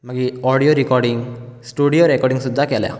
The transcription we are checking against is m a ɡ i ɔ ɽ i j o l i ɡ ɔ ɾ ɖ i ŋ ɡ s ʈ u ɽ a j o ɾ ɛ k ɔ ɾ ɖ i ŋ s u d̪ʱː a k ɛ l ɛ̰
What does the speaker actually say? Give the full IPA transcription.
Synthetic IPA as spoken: m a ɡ i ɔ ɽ i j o ɾ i k ɔ ɾ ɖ i ŋ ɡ s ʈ u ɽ i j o ɾ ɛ k ɔ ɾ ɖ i ŋ s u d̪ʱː a k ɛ l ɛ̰